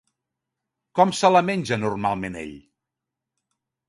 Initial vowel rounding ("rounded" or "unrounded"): rounded